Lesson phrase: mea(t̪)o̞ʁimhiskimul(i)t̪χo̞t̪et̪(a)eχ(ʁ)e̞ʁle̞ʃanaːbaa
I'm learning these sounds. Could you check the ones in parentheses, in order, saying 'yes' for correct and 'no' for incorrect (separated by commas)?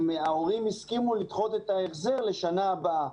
no, yes, yes, no